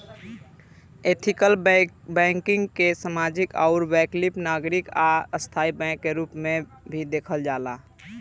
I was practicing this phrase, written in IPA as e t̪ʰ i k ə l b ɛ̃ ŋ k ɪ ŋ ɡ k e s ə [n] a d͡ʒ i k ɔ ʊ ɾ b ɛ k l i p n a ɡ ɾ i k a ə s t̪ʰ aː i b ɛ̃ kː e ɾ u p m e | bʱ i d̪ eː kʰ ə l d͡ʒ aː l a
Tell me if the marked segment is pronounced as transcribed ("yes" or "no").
no